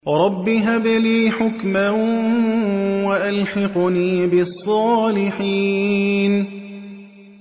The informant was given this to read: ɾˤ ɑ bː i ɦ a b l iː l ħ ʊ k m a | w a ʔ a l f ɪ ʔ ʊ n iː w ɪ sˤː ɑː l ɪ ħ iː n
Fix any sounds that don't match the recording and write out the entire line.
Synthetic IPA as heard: ɾˤ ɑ bː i ɦ a b l iː ħ ʊ k m a | w a ʔ a l ħ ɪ q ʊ n iː b ɪ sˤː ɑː l ɪ ħ iː n

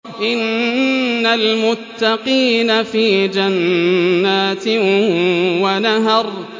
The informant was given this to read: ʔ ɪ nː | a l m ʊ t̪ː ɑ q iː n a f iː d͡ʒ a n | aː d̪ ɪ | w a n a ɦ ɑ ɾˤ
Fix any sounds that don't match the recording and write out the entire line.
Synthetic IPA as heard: ʔ ɪ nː | a l m ʊ t̪ː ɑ q iː n a f iː d͡ʒ a nː | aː t̪ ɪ | w a n a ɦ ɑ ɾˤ

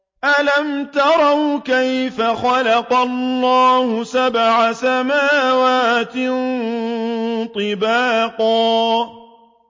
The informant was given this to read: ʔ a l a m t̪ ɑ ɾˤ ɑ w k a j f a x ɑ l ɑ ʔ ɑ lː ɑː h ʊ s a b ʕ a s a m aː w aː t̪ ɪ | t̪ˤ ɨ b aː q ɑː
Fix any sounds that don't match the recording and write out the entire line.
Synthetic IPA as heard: ʔ a l a m t̪ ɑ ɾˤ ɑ w k a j f a x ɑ l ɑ q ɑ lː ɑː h ʊ s a b ʕ a s a m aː w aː t̪ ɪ | t̪ˤ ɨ b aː q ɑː

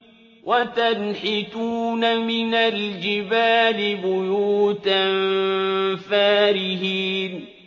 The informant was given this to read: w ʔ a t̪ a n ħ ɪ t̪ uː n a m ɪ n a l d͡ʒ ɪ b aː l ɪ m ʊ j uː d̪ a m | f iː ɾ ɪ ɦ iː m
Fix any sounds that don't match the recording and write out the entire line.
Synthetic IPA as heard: w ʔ a t̪ a n ħ ɪ t̪ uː n a m ɪ n a l d͡ʒ ɪ b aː l ɪ b ʊ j uː t̪ a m | f aː ɾ ɪ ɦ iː n

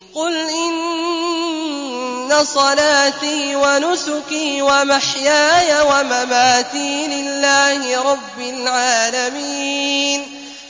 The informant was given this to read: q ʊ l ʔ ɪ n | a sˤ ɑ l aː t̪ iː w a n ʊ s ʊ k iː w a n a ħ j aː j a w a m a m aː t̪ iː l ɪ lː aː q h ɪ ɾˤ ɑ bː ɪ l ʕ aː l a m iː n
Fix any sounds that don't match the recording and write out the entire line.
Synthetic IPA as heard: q ʊ l ʔ ɪ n | a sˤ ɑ l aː t̪ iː w a n ʊ s ʊ k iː w a m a ħ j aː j a w a m a m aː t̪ iː l ɪ lː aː h ɪ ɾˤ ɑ bː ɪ l ʕ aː l a m iː n

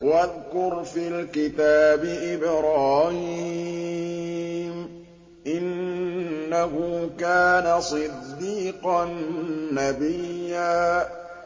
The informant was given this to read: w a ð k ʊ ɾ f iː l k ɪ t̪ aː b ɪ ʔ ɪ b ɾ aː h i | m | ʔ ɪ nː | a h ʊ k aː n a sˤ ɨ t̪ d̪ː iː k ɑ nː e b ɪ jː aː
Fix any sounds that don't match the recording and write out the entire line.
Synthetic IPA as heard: w a ð k ʊ ɾ f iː l k ɪ t̪ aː b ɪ ʔ ɪ b ɾ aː h i | m | ʔ ɪ nː | a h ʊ k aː n a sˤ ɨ d̪ː iː q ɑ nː a b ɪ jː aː

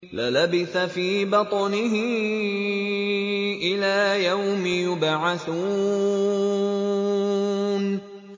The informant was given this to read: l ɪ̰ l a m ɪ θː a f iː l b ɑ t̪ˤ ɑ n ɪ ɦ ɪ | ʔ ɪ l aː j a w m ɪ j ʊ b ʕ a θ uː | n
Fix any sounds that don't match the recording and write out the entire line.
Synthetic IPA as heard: l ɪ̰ l a b ɪ θ a f iː b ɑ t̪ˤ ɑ n ɪ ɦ ɪ | ʔ ɪ l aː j a w m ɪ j ʊ b ʕ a θ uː | n

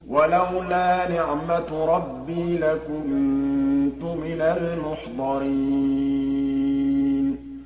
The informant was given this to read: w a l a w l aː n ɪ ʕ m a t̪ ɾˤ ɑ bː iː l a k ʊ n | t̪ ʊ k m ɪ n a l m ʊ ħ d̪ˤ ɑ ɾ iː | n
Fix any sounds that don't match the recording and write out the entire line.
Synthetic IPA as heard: w a l a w l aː n ɪ ʕ m a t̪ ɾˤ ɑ bː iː l a k ʊ n | t̪ ʊ m ɪ n a l m ʊ ħ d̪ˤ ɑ ɾ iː | n

